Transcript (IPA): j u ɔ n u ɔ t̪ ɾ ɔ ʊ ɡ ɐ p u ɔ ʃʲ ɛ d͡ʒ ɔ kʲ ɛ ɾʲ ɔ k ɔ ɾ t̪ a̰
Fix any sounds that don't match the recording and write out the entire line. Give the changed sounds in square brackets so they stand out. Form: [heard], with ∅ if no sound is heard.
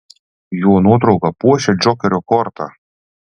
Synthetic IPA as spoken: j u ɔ n u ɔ t̪ ɾ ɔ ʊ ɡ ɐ p u ɔ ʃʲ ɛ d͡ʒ ɔ kʲ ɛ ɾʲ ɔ k ɔ ɾ t̪ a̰